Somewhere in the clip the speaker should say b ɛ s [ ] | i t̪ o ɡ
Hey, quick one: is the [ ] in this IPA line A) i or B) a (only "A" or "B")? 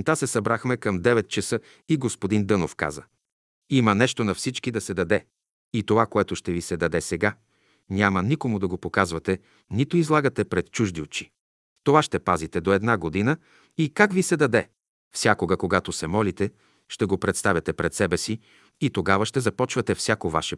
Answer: A